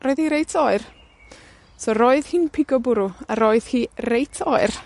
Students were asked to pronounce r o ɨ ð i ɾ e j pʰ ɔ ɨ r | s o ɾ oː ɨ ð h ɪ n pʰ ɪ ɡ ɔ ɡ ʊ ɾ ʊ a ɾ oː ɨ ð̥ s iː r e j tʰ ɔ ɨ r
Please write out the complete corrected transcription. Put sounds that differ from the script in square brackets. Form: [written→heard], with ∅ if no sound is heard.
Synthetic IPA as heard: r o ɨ ð i ɾ e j [pʰ→tʰ] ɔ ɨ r | s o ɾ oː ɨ ð h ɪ n pʰ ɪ ɡ ɔ [ɡ→b] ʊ ɾ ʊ a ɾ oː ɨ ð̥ [s→h] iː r e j tʰ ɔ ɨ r